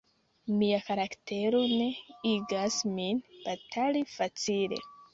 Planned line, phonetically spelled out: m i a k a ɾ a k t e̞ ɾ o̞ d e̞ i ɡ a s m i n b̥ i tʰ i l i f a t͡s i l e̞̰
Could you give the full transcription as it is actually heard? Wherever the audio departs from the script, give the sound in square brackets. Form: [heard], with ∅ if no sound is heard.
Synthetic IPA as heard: m i a k a ɾ a k t e̞ ɾ o̞ [n] e̞ i ɡ a s m i n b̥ [a] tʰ [a] l i f a t͡s i l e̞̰